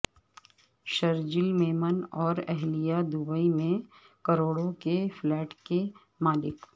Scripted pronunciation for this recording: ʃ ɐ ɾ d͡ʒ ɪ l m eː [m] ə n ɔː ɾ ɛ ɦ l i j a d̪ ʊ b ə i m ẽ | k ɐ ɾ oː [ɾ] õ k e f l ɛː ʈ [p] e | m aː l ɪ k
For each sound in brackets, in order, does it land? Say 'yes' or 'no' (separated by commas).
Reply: yes, no, no